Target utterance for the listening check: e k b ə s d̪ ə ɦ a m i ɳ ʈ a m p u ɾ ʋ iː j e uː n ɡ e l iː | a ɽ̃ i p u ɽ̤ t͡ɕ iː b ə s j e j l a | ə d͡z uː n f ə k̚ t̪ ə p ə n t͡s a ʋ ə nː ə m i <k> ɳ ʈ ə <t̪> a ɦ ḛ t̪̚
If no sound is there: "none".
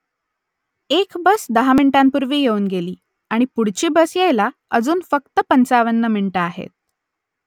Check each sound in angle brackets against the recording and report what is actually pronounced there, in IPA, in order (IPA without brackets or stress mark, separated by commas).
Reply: none, none